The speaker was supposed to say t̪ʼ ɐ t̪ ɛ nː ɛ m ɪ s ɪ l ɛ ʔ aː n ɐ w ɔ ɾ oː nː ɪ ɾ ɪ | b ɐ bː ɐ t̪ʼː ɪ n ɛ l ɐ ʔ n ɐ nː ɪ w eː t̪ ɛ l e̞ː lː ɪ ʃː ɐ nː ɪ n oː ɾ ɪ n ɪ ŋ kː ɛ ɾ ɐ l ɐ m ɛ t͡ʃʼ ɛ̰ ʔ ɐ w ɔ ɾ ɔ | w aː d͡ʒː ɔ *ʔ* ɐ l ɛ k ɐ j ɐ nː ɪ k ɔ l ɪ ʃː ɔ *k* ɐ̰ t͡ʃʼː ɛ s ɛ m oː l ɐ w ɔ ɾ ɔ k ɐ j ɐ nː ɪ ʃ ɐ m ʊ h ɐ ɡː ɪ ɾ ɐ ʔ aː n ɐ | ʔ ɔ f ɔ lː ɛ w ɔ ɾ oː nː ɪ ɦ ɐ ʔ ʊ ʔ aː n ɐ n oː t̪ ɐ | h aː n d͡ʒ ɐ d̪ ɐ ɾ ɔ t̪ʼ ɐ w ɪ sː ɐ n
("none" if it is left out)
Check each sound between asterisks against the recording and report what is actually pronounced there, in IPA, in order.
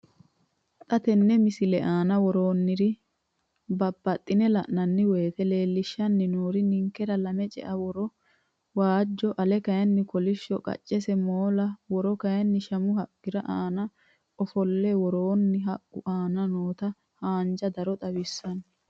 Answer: ʔ, kʼ

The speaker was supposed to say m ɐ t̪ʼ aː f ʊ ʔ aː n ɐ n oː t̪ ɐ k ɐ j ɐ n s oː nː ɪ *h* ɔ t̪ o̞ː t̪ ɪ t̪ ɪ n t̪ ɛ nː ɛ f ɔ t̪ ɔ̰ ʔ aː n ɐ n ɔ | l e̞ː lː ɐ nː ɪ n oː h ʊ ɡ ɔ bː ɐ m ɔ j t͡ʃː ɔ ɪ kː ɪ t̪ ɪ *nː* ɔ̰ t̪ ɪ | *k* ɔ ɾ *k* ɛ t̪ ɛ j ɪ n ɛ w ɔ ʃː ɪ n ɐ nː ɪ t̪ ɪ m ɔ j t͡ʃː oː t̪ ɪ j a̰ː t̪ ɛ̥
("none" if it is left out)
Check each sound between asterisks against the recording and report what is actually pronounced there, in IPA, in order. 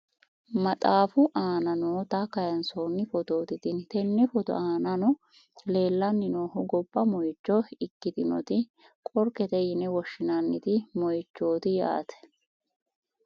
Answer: f, n, kʼ, k

